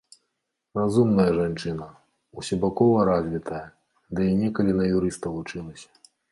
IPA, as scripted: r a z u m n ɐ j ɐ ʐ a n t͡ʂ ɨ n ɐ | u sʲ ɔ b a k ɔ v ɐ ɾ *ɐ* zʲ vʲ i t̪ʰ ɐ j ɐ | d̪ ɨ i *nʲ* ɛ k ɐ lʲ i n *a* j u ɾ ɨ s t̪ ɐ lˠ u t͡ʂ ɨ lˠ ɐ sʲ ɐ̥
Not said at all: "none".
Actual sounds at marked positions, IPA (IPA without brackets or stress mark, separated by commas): a, nʲ, ɐ